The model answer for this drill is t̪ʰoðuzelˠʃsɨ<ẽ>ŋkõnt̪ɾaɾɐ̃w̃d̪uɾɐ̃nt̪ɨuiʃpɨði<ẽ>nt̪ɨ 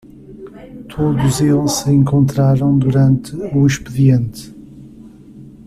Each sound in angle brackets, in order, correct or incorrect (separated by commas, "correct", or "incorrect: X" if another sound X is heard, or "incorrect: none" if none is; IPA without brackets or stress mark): correct, correct